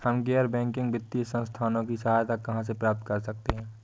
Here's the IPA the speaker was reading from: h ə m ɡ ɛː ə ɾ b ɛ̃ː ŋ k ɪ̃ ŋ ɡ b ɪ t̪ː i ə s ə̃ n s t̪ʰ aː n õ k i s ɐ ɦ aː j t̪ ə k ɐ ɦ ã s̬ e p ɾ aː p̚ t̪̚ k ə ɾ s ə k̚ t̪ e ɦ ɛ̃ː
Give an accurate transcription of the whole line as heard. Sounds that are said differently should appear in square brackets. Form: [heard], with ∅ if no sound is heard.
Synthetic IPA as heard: h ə m ɡ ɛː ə ɾ b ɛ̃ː ŋ k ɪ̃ ŋ ɡ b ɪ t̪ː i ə s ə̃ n s t̪ʰ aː n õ k i s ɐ ɦ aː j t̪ [a] k ɐ ɦ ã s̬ e p ɾ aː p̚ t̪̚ k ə ɾ s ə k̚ t̪ e ɦ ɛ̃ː